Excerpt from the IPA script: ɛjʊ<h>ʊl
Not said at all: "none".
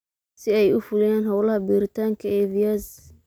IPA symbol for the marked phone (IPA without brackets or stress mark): f